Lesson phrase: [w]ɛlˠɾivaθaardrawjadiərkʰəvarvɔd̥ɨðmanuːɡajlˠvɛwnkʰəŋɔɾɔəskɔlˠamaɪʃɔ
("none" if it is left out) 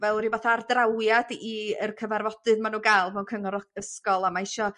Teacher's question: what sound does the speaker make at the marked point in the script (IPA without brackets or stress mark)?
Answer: v